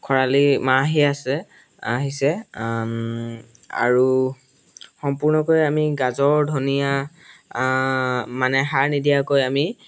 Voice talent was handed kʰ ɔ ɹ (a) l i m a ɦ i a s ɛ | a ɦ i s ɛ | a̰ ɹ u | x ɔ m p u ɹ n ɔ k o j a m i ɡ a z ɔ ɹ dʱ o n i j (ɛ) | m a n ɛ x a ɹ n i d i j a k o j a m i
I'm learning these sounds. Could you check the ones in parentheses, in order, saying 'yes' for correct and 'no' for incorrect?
yes, no

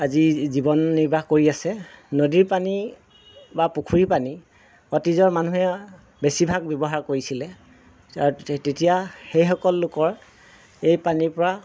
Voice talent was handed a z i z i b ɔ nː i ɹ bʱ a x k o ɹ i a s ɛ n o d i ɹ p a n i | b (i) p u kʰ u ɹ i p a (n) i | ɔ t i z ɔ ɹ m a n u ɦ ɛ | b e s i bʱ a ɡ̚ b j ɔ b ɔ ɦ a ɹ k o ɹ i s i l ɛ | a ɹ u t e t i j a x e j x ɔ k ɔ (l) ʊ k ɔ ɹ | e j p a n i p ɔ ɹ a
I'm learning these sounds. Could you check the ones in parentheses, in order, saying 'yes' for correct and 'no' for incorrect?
no, yes, no

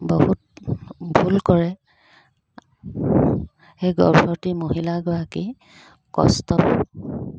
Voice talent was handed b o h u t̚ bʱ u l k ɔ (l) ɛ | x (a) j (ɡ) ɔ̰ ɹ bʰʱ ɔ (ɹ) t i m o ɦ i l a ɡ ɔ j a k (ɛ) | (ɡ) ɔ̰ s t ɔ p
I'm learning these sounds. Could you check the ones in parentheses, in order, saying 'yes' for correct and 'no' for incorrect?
no, no, yes, yes, no, no

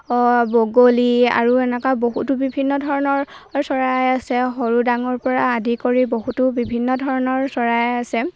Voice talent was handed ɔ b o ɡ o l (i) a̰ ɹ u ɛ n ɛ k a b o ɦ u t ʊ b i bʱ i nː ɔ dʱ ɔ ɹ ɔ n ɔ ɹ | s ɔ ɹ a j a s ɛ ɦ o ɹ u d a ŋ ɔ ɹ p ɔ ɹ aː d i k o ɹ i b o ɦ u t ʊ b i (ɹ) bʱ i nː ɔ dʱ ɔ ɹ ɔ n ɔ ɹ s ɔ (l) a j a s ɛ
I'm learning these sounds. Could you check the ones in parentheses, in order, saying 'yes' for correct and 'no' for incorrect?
yes, no, no

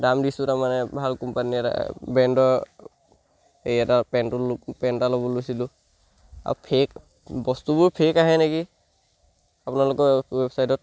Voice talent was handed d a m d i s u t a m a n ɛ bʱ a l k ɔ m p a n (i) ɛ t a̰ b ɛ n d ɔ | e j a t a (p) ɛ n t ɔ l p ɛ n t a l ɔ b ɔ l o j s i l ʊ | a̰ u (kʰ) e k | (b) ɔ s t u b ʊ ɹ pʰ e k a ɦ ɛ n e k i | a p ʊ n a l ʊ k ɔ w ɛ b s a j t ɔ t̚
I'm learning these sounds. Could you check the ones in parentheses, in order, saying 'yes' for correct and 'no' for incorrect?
yes, yes, no, yes

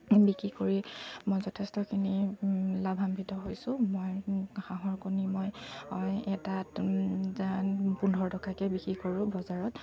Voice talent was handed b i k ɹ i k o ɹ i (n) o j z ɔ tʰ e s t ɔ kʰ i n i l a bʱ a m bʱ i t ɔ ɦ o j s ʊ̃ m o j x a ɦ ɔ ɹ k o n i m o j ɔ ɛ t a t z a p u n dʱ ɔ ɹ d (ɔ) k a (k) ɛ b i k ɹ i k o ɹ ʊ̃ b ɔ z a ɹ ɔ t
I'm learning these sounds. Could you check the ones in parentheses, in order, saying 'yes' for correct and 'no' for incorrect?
no, yes, yes

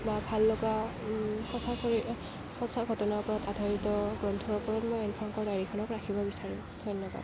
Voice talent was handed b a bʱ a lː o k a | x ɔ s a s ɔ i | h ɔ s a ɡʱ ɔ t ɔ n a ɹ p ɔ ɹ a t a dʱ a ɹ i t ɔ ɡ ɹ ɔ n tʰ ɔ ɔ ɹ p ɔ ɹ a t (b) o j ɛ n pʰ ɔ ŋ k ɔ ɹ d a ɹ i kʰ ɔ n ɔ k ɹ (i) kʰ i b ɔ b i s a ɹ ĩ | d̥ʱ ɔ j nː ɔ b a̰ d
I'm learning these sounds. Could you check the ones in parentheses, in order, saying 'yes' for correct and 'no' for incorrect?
no, no

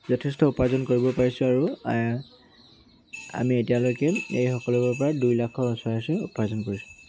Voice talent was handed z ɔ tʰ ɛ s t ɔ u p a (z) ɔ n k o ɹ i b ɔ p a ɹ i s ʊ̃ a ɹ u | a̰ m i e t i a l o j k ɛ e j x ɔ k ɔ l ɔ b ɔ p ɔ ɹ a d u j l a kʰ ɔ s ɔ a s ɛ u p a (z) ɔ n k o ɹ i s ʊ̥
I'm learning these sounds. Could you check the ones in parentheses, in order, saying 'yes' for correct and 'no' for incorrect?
yes, yes

